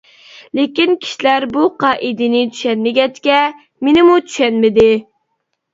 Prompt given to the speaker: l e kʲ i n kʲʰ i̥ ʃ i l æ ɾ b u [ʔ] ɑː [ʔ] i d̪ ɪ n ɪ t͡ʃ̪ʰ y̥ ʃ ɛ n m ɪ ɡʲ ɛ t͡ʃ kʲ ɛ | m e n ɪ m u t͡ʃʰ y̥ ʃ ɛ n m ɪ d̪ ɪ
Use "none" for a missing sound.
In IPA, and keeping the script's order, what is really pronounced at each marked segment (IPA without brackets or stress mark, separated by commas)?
q, ʔ